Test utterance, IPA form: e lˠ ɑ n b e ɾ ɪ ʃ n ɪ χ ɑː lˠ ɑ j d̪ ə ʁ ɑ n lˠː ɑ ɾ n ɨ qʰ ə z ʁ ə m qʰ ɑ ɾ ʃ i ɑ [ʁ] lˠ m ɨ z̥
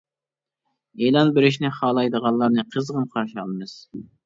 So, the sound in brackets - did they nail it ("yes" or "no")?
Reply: no